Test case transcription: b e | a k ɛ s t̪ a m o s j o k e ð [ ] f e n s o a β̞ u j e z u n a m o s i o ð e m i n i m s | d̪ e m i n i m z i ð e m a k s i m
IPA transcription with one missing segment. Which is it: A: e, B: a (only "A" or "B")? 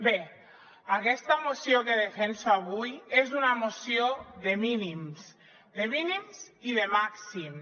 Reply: A